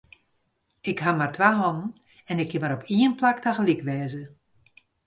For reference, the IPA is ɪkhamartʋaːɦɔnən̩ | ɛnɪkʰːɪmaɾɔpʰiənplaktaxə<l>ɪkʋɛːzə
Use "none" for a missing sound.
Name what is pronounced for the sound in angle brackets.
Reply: l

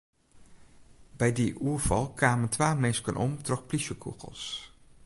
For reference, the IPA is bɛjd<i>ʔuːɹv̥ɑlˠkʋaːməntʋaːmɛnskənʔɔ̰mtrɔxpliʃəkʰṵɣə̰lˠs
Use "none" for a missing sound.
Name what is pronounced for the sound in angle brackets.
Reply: i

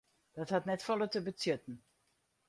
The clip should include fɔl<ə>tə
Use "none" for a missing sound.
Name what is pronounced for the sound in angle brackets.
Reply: ə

